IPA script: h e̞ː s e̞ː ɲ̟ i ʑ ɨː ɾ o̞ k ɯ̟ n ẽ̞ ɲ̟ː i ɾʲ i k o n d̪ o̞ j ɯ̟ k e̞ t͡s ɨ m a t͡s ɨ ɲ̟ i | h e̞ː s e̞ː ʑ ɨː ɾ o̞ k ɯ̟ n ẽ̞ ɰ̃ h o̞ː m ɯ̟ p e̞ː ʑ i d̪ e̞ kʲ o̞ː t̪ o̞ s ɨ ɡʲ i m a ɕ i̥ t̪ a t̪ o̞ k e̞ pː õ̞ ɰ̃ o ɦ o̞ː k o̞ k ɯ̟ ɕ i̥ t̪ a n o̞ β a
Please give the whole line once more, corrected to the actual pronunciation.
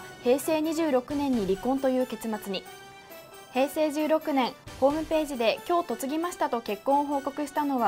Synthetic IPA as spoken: h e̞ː s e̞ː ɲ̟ i ʑ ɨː ɾ o̞ k ɯ̟ n ẽ̞ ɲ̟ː i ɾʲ i k õ n t̪ o̞ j ɯ̟ː k e̞ t͡s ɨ m a t͡s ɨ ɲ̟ i | h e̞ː s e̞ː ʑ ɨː ɾ o̞ k ɯ̟ n ẽ̞ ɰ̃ h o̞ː m ɯ̟ p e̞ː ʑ i d̪ e̞ kʲ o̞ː t̪ o̞ t͡s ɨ ɡʲ i m a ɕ i̥ t̪ a t̪ o̞ k e̞ kː õ̞ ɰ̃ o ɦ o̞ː k o̞ k ɯ̟ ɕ i̥ t̪ a n o̞ β a